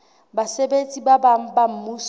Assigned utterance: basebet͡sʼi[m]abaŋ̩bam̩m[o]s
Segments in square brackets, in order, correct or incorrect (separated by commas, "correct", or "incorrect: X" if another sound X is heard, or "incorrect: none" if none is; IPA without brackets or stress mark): incorrect: b, incorrect: u